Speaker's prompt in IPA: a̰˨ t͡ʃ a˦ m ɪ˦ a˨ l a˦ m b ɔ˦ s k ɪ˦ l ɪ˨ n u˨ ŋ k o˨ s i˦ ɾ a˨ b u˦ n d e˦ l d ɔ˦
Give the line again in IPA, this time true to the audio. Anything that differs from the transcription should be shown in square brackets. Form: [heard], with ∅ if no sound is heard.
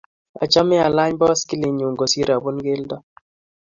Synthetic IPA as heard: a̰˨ t͡ʃ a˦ m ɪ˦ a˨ l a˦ [ɲ] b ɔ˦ s k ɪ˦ l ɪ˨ [ɲ] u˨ ŋ [ɡ] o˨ s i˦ ɾ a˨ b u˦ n [ɡ] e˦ l d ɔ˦